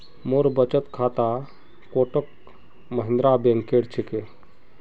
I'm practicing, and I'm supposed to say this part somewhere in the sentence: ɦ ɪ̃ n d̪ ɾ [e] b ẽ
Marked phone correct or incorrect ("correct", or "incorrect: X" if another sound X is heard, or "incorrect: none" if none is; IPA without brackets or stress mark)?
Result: incorrect: a